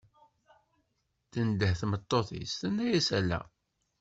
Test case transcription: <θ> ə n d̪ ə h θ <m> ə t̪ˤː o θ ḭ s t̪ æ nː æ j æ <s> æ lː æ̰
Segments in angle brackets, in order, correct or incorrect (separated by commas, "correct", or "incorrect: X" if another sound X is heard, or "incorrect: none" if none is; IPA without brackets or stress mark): correct, correct, correct